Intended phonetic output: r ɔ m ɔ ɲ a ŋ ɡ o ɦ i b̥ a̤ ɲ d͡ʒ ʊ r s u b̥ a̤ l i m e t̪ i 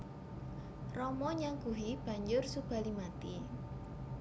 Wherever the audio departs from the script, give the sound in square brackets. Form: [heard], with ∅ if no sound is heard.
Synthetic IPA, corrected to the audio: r ɔ m ɔ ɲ a ŋ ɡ [u] ɦ i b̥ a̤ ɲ d͡ʒ ʊ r s u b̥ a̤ l i m [a] t̪ i